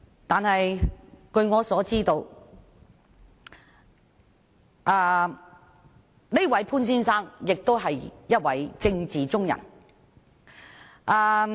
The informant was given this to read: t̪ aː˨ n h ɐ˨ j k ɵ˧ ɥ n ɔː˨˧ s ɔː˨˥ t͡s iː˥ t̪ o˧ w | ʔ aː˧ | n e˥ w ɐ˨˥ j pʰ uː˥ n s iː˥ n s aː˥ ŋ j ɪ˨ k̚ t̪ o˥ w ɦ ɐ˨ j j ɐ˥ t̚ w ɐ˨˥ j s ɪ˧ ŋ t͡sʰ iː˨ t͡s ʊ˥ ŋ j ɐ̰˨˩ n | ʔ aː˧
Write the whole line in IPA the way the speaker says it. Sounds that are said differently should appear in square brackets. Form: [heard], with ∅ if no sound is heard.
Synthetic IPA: t̪ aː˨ n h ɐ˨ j k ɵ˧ ɥ [ŋ] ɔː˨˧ s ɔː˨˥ t͡s iː˥ t̪ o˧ w | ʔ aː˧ | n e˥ w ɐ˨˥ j pʰ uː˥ n s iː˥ n s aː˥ ŋ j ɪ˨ k̚ t̪ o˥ w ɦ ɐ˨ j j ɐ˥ t̚ w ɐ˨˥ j [t͡s] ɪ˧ ŋ [t͡s] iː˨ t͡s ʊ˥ ŋ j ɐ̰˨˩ n | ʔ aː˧

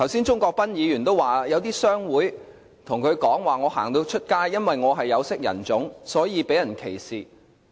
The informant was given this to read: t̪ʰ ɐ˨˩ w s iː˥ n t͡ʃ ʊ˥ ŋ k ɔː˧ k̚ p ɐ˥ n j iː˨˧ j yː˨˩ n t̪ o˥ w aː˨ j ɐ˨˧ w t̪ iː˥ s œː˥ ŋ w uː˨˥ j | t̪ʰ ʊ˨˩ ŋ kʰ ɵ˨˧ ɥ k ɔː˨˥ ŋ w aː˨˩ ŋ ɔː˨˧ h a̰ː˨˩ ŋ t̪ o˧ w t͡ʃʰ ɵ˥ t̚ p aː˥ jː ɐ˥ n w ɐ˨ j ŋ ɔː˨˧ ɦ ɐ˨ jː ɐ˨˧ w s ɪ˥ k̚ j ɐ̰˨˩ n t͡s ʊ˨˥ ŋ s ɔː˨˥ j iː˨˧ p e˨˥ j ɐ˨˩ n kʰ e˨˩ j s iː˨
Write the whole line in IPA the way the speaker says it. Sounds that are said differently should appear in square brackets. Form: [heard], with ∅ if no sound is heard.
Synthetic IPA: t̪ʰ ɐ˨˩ w s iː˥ n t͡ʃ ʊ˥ ŋ k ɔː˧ k̚ p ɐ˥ n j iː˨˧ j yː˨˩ n t̪ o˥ w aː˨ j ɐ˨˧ w t̪ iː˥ s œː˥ ŋ w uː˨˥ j | t̪ʰ ʊ˨˩ ŋ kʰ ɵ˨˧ ɥ k ɔː˨˥ ŋ w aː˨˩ ŋ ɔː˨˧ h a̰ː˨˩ ŋ t̪ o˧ w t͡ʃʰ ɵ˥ t̚ [k] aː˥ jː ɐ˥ n w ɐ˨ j ŋ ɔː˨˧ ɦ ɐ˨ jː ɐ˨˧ w s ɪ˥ k̚ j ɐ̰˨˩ n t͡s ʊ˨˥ ŋ s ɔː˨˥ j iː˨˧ p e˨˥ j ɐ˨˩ n kʰ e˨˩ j s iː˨

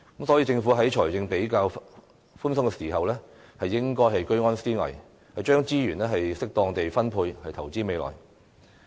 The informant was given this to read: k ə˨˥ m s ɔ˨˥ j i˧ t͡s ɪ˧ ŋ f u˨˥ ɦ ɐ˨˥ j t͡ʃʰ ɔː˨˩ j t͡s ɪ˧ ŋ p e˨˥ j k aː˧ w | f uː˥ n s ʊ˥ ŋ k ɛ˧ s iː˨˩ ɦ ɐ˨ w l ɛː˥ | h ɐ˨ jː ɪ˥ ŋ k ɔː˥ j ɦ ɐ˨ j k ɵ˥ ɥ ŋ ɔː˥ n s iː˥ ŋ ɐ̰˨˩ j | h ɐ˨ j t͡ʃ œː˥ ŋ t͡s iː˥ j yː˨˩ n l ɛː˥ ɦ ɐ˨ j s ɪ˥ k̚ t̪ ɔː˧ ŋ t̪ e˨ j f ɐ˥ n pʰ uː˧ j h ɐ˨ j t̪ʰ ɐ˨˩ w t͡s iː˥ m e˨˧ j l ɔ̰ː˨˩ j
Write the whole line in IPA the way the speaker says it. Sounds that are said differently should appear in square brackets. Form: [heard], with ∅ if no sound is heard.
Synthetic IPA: k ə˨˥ m s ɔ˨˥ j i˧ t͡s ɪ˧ ŋ f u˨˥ ɦ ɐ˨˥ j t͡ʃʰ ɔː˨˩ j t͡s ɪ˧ ŋ p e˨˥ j k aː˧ w | f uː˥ n s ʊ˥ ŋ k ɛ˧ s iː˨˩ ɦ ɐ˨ w l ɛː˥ | h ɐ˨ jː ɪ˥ ŋ k ɔː˥ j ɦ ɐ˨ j k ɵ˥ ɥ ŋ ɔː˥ n s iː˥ ŋ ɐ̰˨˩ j | h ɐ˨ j t͡ʃ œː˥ ŋ t͡s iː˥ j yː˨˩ n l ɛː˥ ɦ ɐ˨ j s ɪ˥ k̚ t̪ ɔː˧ ŋ t̪ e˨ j f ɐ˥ n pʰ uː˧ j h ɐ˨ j t̪ʰ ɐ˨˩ w t͡s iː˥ m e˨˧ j l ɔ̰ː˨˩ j

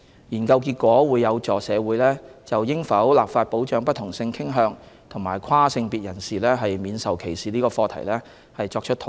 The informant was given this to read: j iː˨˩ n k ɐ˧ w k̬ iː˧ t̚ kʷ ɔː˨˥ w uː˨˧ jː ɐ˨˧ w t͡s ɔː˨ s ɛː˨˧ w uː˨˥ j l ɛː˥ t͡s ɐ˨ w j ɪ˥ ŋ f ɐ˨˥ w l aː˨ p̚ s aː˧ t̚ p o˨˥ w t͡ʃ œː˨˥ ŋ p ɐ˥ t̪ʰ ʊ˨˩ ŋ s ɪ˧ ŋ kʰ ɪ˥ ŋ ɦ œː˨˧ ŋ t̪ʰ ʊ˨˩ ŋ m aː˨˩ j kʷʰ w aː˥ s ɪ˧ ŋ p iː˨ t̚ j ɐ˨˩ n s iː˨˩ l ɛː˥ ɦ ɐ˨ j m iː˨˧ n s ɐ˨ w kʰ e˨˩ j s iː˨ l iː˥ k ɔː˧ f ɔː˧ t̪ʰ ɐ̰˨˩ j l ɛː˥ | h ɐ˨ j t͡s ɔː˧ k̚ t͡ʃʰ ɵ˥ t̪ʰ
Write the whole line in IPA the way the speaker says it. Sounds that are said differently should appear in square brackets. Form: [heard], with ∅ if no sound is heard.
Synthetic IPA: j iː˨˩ n k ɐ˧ w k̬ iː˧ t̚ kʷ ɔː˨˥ w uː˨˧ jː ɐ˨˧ w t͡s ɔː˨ s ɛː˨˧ w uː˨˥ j l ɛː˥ t͡s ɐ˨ w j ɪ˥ ŋ f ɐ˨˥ w l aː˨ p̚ [f] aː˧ t̚ p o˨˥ w t͡ʃ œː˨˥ ŋ p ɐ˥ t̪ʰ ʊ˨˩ ŋ s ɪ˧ ŋ kʰ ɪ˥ ŋ ɦ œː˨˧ ŋ t̪ʰ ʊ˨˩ ŋ m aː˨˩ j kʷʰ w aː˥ s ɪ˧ ŋ p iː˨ t̚ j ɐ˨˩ n s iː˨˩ l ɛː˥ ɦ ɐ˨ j m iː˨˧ n s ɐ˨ w kʰ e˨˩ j s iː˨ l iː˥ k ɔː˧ f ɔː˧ t̪ʰ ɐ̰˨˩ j l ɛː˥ | h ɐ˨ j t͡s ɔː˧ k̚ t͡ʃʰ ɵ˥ t̪ʰ

